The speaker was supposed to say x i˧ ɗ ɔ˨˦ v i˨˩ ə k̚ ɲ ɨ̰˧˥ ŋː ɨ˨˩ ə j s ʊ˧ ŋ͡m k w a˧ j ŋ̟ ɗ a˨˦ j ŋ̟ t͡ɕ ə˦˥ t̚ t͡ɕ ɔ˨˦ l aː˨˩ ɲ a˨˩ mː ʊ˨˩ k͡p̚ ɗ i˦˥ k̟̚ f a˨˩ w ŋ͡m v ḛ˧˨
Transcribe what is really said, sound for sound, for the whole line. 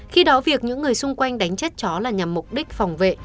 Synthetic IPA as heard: x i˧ ɗ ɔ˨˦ v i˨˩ ə k̚ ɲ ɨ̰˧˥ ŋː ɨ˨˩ ə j s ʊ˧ ŋ͡m k w a˧ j ŋ̟ ɗ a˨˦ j ŋ̟ t͡ɕ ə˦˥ t̚ t͡ɕ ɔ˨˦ l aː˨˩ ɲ a˨˩ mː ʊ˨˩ k͡p̚ ɗ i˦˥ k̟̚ f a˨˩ w ŋ͡m v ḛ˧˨